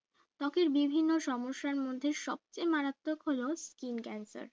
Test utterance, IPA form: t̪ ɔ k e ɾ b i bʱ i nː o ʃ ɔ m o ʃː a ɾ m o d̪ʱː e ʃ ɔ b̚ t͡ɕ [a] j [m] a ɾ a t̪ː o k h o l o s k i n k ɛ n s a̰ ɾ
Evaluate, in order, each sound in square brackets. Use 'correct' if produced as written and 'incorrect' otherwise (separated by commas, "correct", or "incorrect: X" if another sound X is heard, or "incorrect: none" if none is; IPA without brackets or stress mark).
incorrect: e, correct